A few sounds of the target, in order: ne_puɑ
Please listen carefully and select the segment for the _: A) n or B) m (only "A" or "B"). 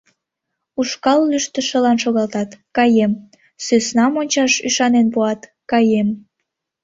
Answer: A